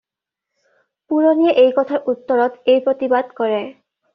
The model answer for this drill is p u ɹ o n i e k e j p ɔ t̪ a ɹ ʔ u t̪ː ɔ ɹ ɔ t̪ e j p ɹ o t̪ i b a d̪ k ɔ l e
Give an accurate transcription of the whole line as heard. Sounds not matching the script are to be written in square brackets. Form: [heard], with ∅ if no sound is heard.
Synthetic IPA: p u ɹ o n i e [ʔ] e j [k] ɔ [t̪ʰ] a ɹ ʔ u t̪ː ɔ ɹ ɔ t̪ e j p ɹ o t̪ i b a d̪ k ɔ [ɹ] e